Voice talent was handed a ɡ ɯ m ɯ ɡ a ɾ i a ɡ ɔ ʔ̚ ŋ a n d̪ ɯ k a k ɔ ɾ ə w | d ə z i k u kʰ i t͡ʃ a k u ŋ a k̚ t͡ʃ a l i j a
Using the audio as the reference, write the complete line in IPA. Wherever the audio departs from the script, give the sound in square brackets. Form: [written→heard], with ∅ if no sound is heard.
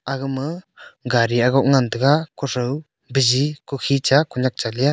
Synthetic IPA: a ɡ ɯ m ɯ ɡ a ɾ i a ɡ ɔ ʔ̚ ŋ a n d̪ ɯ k a k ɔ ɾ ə w | [d→b] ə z i k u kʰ i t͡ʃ a k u [ŋ→ɲ] a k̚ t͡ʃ a l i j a

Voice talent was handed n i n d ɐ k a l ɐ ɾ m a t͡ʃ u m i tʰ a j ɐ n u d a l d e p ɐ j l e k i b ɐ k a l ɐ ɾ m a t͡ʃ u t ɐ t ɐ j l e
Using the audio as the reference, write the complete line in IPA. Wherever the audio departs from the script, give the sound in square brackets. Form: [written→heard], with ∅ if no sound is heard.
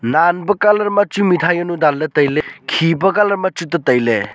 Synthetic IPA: n [i→a] n [d→b] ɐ k a l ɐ ɾ m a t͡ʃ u m i tʰ a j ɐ n u d a l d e [p→t] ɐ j l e [k→kʰ] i b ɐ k a l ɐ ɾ m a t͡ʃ u t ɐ t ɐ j l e

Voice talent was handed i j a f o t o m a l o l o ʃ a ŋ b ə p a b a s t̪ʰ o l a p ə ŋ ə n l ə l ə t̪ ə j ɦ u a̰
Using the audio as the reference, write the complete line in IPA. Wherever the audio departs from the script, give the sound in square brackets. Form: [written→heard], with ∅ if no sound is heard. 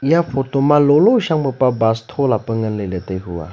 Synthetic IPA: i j a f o t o m a l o l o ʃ a ŋ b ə p a b a s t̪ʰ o l a p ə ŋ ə n l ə l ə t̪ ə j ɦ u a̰

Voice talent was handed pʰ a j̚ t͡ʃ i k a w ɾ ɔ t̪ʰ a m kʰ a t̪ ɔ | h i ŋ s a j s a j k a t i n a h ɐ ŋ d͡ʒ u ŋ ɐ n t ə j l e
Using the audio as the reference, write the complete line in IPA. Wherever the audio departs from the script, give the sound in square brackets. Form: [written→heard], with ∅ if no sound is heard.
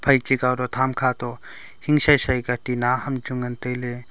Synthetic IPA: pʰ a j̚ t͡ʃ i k a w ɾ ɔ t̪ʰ a m kʰ a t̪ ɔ | h i ŋ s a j s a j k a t i n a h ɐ [ŋ→m] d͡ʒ u ŋ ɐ n t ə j l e

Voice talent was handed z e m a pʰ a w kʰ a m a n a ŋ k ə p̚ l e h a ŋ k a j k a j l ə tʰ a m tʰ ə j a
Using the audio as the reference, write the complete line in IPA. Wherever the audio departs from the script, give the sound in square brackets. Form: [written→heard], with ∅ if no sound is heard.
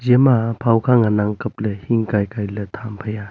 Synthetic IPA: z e m a pʰ a w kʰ a [m→ŋ] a n a ŋ k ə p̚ l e h [a→i] ŋ k a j k a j l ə tʰ a m [tʰ→pʰ] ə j a

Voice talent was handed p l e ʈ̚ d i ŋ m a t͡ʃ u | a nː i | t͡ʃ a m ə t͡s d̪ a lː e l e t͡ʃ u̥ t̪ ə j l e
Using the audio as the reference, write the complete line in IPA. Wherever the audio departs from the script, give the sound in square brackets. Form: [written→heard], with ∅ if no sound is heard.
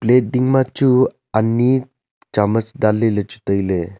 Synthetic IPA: p l e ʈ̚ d i ŋ m a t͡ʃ u | a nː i | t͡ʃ a m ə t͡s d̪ a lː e l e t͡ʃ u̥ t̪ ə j l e

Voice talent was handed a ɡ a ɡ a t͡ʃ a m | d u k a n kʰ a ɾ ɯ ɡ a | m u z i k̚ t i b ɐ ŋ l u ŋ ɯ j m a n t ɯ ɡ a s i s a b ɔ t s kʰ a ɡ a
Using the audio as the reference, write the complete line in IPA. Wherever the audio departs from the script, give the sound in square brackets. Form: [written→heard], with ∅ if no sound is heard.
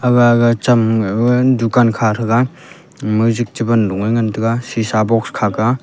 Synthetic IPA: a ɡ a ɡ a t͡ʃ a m | d u k a n kʰ a ɾ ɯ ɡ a | m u z i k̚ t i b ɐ [ŋ→n] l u ŋ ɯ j [m→ŋ] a n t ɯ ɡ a s i s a b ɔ [t→k] s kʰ a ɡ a

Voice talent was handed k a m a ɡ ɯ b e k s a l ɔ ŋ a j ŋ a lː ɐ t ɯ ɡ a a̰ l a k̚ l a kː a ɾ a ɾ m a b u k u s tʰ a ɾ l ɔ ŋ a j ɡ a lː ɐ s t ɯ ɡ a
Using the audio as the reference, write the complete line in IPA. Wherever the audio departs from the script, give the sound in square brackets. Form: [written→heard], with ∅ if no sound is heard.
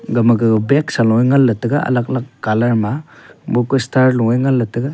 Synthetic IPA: [k→ɡ] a m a ɡ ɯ b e k s a l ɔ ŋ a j ŋ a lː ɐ t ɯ ɡ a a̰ l a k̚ l a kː a [ɾ→l] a ɾ m a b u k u s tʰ a ɾ l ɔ ŋ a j [ɡ→ŋ] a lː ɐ [s→∅] t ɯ ɡ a

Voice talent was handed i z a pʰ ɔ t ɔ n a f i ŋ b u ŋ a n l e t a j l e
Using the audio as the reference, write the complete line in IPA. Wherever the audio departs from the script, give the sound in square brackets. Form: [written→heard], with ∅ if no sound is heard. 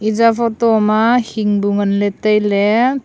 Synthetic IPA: i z a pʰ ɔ t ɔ [n→m] a [f→h] i ŋ b u ŋ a n l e t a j l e

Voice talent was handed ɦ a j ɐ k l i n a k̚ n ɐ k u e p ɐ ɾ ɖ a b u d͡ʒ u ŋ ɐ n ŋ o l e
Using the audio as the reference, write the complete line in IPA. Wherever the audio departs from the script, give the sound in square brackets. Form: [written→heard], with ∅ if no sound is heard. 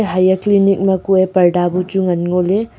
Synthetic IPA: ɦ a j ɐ k l i n [a→i] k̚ [n→m] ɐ k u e p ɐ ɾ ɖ a b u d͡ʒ u ŋ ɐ n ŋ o l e

